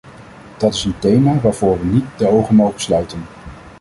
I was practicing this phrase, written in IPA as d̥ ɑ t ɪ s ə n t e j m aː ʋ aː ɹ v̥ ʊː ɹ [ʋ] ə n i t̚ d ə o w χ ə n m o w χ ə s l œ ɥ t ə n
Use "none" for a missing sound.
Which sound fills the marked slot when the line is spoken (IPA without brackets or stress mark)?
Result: ʋ